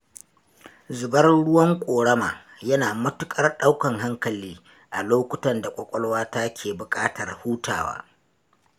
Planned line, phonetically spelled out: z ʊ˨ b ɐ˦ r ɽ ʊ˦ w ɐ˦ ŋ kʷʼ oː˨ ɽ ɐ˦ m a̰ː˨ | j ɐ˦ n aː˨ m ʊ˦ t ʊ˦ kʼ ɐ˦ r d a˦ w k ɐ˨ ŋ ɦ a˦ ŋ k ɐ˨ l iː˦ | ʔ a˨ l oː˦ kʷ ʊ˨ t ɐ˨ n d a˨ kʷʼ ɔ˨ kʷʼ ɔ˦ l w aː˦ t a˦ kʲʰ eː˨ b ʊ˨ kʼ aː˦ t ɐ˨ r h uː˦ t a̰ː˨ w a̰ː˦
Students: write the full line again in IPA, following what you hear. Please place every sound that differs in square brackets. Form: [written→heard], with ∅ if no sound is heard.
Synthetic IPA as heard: z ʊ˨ b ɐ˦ r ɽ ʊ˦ w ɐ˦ ŋ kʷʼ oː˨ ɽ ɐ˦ m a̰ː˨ | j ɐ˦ n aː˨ m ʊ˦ t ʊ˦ kʼ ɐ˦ r [d→ɗ] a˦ w k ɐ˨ ŋ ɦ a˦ ŋ k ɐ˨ l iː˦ | ʔ a˨ l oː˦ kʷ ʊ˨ t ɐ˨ n d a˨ kʷʼ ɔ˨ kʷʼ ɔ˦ l w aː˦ t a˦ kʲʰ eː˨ b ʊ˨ kʼ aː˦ t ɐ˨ r h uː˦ t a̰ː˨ w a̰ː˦